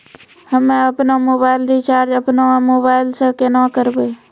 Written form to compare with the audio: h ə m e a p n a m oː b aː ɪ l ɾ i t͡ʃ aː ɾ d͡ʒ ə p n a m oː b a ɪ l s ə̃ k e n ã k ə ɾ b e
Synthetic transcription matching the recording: h ə m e ə p n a m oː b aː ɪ l ɾ i t͡ʃ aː ɾ d͡ʒ ə p n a m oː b a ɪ l s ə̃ k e n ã k ə ɾ b e